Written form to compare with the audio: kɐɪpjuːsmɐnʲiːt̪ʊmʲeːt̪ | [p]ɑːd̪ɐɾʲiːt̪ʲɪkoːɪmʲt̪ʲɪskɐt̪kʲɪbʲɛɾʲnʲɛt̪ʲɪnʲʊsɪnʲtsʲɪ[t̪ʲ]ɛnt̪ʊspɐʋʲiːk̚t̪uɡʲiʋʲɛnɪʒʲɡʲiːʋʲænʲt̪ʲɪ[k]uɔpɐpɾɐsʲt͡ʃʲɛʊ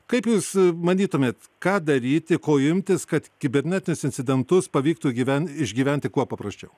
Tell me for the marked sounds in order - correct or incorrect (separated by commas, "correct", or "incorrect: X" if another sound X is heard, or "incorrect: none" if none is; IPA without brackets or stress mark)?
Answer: incorrect: k, incorrect: d̪ʲ, correct